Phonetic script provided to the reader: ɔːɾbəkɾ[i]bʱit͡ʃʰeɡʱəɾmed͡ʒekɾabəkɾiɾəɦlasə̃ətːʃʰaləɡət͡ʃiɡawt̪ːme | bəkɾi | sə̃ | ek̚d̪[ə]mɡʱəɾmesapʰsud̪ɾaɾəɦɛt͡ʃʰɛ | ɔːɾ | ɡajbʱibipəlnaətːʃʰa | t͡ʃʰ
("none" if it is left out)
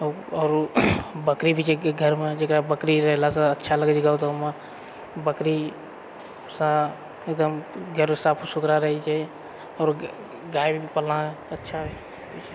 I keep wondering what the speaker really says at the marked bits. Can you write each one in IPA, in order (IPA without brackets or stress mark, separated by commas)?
i, ə